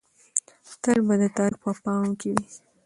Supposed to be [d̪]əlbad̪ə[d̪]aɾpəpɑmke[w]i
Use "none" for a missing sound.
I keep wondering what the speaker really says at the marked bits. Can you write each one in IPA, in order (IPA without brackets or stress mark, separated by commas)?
t̪, t̪, w